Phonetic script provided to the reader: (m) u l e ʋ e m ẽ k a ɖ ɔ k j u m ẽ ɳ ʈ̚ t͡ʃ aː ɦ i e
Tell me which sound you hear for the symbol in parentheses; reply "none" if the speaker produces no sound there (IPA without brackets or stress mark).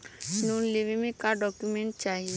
n